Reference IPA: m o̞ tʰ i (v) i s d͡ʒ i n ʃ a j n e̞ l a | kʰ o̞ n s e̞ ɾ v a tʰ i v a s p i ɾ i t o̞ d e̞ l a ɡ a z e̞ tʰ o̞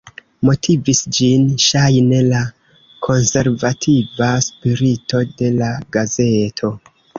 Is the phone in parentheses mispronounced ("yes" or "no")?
no